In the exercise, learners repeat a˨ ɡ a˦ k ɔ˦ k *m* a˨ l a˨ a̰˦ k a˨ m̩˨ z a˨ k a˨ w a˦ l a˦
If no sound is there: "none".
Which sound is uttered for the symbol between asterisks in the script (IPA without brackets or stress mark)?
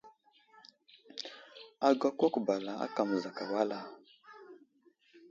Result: b